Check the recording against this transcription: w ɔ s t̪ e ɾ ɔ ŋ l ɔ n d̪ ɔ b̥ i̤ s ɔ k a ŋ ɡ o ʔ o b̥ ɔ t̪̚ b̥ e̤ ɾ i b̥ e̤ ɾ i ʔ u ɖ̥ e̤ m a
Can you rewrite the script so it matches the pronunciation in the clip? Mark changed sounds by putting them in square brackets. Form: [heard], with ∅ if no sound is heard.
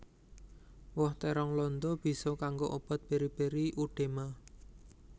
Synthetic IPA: w ɔ [h] t̪ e ɾ ɔ ŋ l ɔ n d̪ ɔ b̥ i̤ s ɔ k a ŋ ɡ o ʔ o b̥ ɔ t̪̚ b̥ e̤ ɾ i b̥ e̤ ɾ i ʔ u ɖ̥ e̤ m a

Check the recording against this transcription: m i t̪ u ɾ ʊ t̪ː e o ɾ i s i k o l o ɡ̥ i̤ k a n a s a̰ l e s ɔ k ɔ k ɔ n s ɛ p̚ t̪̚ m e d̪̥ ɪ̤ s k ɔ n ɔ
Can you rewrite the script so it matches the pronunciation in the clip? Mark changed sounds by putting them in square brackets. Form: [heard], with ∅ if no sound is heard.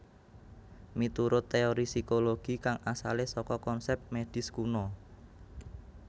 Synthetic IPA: m i t̪ u ɾ ʊ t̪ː e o ɾ i s i k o l o ɡ̥ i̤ k a [ŋ] a s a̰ l e s ɔ k ɔ k ɔ n s ɛ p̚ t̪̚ m e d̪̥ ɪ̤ s k [u] n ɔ

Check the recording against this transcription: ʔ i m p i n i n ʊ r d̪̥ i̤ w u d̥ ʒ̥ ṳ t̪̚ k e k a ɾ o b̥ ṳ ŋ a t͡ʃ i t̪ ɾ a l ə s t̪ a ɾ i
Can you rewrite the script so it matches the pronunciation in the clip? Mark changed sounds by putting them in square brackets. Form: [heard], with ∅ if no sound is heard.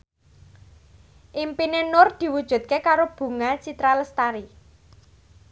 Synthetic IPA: ʔ i m p i n [e] n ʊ r d̪̥ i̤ w u d̥ ʒ̥ ṳ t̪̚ k e k a ɾ o b̥ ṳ ŋ a t͡ʃ i t̪ ɾ a l ə s t̪ a ɾ i

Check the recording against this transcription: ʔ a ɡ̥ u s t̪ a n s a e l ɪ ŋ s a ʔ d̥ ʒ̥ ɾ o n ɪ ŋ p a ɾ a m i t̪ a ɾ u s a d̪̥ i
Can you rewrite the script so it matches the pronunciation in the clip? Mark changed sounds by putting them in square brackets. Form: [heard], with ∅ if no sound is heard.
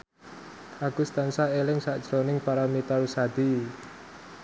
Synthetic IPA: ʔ a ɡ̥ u s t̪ a n s a e l ɪ ŋ s a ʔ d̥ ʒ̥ ɾ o n ɪ ŋ p a ɾ a m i t̪ a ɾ u s a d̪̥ i

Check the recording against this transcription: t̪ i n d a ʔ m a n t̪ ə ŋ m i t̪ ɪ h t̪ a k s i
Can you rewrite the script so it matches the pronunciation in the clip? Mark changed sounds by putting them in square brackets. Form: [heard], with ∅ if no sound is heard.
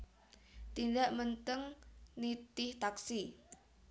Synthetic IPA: t̪ i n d a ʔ m [ə] n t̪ ə ŋ [n] i t̪ ɪ h t̪ a k s i

